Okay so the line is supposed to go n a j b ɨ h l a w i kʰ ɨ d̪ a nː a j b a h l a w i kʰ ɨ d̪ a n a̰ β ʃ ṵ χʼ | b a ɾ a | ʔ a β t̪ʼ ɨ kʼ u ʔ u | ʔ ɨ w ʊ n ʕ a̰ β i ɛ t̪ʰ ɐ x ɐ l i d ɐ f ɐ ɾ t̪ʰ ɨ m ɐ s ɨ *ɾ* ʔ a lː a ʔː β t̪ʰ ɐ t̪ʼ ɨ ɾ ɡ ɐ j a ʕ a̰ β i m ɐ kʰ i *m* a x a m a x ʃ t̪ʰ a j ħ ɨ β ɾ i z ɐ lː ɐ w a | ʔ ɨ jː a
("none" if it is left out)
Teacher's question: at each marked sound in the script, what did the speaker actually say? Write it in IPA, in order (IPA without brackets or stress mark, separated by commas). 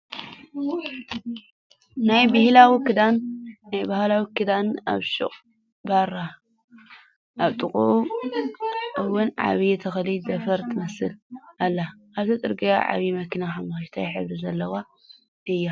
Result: l, n